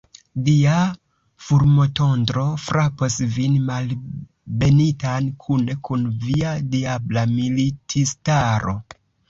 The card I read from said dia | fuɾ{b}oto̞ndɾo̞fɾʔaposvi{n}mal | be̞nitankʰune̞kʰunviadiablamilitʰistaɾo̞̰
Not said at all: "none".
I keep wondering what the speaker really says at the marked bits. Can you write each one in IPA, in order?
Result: m, n

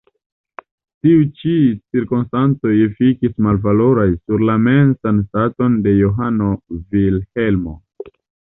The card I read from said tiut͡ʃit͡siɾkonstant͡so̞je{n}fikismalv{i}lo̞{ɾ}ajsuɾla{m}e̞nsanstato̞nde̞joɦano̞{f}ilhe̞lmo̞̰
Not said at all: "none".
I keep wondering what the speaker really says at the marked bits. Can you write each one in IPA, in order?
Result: none, a, ɾ, m, v

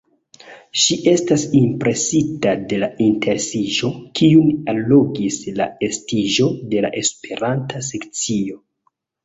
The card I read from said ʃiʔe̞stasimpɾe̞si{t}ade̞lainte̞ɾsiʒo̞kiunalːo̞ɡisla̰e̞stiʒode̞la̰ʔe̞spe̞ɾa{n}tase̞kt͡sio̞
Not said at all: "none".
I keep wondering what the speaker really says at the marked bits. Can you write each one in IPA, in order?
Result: t, n

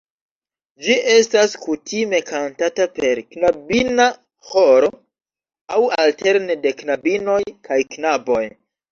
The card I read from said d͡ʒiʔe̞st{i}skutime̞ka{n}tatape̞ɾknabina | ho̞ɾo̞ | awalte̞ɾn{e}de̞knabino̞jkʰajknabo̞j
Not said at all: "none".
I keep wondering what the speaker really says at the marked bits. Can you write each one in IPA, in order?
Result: a, n, e

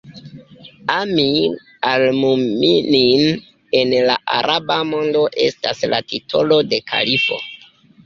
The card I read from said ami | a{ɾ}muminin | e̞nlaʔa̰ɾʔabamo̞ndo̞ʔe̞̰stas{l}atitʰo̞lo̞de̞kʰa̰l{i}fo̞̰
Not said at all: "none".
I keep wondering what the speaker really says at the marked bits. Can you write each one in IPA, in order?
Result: l, l, i

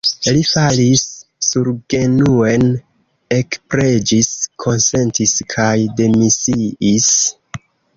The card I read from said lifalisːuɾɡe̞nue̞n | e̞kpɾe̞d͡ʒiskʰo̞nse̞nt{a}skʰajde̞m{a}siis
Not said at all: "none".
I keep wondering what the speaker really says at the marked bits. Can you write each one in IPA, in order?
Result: i, i

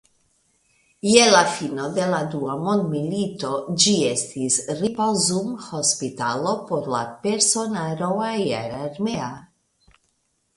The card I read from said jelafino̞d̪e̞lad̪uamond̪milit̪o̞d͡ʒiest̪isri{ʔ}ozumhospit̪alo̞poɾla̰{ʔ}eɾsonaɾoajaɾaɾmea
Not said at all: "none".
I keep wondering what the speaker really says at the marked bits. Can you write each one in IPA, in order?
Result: p, p

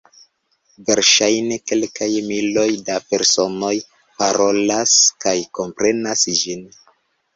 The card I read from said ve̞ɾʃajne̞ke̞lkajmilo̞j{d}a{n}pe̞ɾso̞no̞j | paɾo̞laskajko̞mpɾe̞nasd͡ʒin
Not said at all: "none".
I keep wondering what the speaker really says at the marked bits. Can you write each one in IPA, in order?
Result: d, none

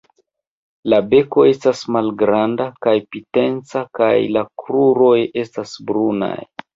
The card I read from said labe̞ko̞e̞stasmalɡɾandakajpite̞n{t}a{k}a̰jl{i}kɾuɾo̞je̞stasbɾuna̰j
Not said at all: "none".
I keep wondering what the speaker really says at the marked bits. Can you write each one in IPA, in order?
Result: t͡s, k, a

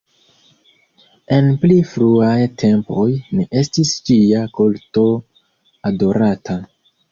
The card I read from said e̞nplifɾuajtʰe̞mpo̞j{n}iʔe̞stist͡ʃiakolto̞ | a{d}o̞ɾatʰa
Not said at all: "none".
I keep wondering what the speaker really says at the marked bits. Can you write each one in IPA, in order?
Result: n, d

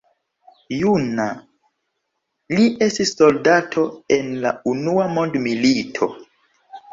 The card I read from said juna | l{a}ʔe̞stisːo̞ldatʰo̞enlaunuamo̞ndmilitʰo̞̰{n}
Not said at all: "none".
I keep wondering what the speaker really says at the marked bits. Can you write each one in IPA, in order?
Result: i, none

